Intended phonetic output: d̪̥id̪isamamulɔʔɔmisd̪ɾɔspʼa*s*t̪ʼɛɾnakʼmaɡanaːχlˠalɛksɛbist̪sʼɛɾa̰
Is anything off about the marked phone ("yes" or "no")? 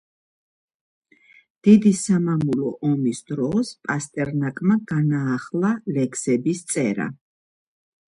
no